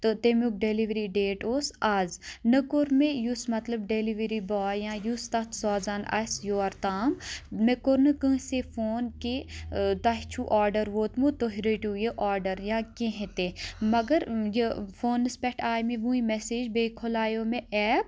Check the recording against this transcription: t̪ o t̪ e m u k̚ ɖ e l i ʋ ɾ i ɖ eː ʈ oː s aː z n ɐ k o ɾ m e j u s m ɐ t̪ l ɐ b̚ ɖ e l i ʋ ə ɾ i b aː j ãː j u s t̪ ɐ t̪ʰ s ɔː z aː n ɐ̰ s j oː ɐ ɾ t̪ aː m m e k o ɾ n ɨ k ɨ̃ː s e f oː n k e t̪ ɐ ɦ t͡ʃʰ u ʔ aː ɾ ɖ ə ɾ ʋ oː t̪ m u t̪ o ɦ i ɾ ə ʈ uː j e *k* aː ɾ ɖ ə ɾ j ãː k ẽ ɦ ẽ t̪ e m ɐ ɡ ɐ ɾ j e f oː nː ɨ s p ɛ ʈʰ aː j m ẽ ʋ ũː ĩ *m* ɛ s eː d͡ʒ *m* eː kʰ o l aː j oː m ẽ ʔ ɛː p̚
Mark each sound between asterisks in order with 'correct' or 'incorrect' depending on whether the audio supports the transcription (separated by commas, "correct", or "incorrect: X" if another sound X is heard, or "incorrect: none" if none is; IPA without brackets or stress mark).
incorrect: ʔ, correct, incorrect: b